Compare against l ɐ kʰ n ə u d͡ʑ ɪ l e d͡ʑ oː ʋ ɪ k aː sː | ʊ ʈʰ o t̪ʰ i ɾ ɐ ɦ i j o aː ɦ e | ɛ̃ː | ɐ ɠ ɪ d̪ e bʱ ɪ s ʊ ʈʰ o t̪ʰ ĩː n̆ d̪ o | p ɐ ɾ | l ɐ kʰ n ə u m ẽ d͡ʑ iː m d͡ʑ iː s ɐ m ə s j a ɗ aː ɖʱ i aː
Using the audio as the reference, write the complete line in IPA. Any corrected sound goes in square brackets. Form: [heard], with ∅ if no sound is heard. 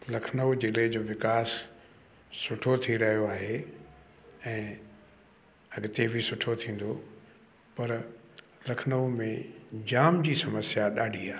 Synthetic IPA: l ɐ kʰ n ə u d͡ʑ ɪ l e d͡ʑ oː ʋ ɪ k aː sː | ʊ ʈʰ o t̪ʰ i ɾ ɐ ɦ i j o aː ɦ e | ɛ̃ː | ɐ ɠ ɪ [t̪] e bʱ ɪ s ʊ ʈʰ o t̪ʰ ĩː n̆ d̪ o | p ɐ ɾ | l ɐ kʰ n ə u m ẽ d͡ʑ [aː] m d͡ʑ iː s ɐ m ə s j a ɗ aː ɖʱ i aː

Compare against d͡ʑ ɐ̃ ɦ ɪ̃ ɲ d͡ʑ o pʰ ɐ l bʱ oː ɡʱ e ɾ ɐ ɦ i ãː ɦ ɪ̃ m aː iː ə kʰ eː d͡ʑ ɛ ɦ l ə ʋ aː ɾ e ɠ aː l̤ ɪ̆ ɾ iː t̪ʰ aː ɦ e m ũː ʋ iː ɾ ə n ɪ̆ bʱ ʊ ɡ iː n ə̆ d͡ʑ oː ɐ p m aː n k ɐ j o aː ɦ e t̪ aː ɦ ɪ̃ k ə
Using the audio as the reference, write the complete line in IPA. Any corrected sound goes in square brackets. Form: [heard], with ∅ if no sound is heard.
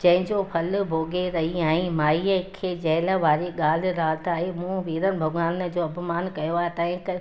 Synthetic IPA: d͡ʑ ɐ̃ ɦ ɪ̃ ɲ d͡ʑ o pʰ ɐ l bʱ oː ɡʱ e ɾ ɐ ɦ i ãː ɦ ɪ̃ m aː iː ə kʰ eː d͡ʑ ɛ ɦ l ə ʋ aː ɾ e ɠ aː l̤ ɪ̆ ɾ [aː] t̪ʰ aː ɦ e m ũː ʋ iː ɾ ə n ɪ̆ bʱ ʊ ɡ [aː] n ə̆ d͡ʑ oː ɐ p m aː n k ɐ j o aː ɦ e t̪ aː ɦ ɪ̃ k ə

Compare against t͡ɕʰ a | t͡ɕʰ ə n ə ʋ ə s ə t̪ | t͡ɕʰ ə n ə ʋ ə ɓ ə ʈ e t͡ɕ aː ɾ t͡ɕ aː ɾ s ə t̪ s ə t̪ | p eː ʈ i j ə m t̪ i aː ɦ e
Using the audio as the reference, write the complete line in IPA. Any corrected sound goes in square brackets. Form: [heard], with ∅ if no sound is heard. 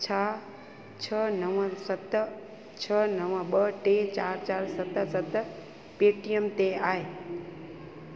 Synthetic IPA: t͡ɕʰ a | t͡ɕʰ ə n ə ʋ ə s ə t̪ | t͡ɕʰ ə n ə ʋ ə ɓ ə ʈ e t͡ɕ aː ɾ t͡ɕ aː ɾ s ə t̪ s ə t̪ | p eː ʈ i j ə m t̪ [e] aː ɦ e

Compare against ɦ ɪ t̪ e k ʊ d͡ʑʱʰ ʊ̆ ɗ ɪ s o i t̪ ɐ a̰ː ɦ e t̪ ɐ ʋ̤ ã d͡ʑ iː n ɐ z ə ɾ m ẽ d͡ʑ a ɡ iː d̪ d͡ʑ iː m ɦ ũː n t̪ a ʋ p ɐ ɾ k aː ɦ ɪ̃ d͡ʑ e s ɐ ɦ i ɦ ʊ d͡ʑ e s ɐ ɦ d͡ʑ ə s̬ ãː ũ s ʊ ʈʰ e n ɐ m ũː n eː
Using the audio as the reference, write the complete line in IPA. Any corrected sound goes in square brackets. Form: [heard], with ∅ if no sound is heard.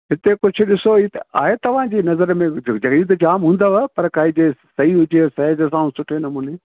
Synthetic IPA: ɦ ɪ t̪ e k ʊ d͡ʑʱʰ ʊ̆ ɗ ɪ s o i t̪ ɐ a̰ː ɦ e t̪ ɐ ʋ̤ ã d͡ʑ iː n ɐ z ə ɾ m ẽ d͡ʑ [ɐ] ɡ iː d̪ d͡ʑ [aː] m ɦ ũː n [d̪] a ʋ p ɐ ɾ k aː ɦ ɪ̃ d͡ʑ e s ɐ ɦ i ɦ ʊ d͡ʑ e s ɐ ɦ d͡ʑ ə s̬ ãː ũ s ʊ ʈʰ e n ɐ m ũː n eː

